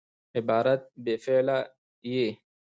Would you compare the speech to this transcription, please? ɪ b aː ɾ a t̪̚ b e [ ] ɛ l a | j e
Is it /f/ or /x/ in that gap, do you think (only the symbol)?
f